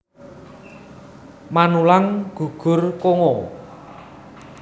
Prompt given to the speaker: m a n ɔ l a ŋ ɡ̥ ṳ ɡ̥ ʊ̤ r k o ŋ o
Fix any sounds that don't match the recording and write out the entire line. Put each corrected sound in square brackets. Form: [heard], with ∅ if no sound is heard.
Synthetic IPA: m a n [u] l a ŋ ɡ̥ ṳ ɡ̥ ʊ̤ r k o ŋ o